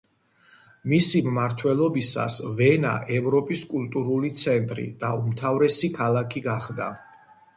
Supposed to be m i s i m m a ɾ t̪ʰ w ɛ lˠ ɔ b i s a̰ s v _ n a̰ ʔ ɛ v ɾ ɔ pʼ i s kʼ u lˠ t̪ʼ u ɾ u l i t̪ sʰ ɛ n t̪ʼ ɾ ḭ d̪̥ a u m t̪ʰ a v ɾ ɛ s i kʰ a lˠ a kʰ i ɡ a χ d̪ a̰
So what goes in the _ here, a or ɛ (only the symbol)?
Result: ɛ